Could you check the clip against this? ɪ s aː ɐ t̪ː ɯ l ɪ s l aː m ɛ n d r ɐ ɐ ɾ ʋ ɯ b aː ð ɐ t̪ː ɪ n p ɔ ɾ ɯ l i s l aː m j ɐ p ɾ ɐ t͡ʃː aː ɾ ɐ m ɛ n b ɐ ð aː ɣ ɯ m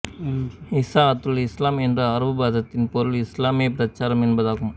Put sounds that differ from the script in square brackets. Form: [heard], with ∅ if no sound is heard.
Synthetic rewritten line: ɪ s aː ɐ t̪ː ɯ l ɪ s l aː m ɛ n d r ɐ ɐ ɾ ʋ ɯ b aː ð ɐ t̪ː ɪ n p ɔ ɾ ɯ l [ɪ] s l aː m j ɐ p ɾ ɐ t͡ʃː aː ɾ ɐ m ɛ n b ɐ ð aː ɣ ɯ m